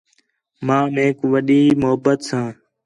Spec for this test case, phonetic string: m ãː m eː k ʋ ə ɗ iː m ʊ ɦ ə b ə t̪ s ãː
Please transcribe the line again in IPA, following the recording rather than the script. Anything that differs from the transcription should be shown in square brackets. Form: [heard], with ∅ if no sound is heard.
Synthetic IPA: m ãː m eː k ʋ ə ɗ iː m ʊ ɦ ə b ə t̪ s ãː